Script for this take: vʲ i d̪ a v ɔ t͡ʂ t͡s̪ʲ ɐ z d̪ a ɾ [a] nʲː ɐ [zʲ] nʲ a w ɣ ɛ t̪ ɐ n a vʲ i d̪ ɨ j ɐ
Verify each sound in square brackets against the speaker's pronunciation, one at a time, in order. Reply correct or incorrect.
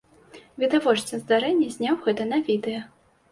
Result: incorrect, correct

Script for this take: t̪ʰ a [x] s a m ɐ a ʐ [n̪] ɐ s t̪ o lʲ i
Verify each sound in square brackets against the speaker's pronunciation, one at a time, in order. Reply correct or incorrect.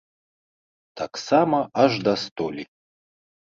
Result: incorrect, incorrect

